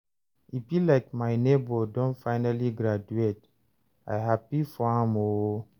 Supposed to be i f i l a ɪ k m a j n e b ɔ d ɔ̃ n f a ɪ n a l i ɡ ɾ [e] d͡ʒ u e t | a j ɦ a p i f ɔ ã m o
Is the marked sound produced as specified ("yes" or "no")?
no